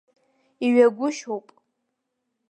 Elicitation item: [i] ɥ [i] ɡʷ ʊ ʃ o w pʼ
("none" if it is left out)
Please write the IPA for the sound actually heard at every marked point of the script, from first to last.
i, a

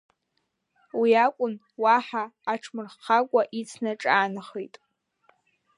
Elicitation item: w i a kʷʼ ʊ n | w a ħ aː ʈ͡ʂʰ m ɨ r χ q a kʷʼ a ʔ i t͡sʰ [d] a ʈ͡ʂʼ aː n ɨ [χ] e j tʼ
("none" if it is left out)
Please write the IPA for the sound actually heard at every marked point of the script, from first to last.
n, χ

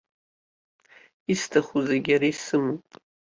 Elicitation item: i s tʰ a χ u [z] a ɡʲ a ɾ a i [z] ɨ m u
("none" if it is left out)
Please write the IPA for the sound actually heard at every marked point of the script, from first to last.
z, s

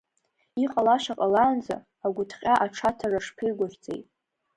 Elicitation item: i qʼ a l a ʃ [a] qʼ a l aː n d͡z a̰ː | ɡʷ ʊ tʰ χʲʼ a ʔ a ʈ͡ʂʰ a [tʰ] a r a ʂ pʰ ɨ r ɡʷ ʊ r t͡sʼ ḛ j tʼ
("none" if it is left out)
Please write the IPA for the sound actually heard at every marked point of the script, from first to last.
a, tʰ

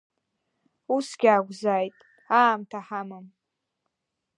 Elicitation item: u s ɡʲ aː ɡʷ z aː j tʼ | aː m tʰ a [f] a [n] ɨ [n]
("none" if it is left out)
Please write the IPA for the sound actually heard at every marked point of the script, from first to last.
ħ, m, m

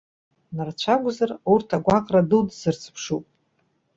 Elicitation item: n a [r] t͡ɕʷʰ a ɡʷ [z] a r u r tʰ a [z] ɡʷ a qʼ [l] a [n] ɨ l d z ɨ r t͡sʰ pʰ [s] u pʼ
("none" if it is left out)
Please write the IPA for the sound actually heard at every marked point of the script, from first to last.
r, z, none, r, d, ʂ

